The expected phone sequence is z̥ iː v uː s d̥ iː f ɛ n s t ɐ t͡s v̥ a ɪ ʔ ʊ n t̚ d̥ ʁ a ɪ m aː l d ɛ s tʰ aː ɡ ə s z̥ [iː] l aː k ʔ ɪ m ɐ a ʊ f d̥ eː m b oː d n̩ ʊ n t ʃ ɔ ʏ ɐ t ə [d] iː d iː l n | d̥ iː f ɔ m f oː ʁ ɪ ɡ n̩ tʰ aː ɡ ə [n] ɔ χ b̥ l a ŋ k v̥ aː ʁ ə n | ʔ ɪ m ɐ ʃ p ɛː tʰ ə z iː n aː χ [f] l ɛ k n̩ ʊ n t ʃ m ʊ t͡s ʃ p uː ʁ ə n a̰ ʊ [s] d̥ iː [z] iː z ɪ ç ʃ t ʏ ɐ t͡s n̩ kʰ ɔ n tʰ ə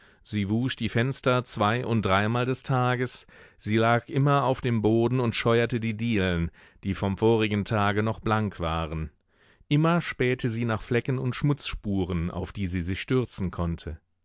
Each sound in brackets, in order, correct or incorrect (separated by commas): correct, correct, correct, correct, incorrect, correct